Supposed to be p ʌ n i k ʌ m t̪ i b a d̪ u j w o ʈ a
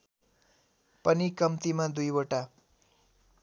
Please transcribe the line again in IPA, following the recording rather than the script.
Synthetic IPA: p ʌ n i k ʌ m t̪ i m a d̪ u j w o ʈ a